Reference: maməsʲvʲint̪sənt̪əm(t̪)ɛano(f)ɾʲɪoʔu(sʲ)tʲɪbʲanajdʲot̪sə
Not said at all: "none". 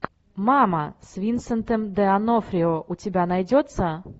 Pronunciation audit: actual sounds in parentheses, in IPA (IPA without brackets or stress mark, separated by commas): d̪, f, none